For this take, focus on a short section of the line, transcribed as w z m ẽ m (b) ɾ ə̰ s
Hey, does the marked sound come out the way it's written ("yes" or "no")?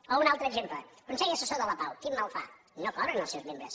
yes